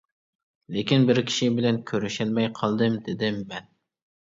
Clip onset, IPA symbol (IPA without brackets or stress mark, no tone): l